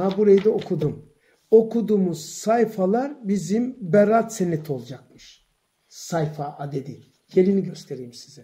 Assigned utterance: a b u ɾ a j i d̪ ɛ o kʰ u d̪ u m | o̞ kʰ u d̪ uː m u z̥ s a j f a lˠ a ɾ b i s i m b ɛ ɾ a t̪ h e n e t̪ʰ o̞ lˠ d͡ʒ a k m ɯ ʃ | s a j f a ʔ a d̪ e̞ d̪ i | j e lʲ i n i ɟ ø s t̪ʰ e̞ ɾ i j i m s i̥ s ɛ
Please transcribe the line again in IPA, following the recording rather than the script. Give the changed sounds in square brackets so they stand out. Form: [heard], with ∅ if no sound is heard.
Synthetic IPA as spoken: a b u ɾ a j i d̪ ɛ o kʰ u d̪ u m | o̞ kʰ u d̪ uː m u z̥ s a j f a lˠ a ɾ b i [z] i m b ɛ ɾ a t̪ [s] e n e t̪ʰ o̞ lˠ d͡ʒ a k m ɯ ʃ | s a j f a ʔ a d̪ e̞ d̪ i | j e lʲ i n i ɟ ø s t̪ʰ e̞ ɾ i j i m s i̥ [z] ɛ